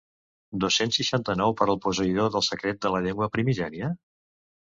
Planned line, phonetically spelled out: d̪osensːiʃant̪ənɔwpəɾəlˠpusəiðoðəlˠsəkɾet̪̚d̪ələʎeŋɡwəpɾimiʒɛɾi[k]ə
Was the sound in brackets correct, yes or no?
no